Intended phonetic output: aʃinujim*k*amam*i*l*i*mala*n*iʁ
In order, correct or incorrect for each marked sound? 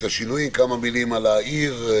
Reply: correct, correct, correct, incorrect

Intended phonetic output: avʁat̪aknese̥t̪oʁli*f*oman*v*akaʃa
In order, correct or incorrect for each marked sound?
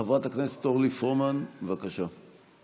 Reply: correct, correct

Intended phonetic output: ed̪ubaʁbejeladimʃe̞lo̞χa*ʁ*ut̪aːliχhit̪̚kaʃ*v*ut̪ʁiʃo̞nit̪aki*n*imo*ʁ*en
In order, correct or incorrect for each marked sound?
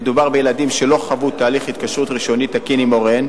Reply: incorrect, incorrect, correct, correct

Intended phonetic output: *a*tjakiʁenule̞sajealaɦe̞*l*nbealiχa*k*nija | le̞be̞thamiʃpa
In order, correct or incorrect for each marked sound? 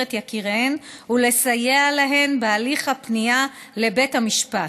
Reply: incorrect, incorrect, incorrect

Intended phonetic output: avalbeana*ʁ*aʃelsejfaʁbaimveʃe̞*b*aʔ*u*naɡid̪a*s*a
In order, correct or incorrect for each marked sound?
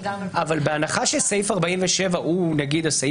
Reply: incorrect, incorrect, correct, correct

